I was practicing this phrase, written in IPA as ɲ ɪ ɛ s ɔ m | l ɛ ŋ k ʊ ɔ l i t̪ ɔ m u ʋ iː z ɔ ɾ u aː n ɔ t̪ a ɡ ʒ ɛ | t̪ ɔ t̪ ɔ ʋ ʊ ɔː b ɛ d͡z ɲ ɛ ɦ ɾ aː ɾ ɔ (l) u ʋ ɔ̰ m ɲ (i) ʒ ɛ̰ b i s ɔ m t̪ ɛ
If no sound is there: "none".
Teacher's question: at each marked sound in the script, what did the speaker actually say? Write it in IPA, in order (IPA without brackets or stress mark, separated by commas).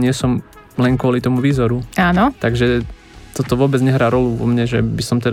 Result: l, ɛ